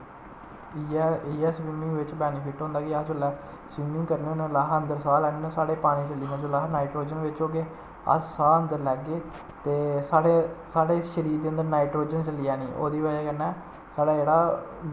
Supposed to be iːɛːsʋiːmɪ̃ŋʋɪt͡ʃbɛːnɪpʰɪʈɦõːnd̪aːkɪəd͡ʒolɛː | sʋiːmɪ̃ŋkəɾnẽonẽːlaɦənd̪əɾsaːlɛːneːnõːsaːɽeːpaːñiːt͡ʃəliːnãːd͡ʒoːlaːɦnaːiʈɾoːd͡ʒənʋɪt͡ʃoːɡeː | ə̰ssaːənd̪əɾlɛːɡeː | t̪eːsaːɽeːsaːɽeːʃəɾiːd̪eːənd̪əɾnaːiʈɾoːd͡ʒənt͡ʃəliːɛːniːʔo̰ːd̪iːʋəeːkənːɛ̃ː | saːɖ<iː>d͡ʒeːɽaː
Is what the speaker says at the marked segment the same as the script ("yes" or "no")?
no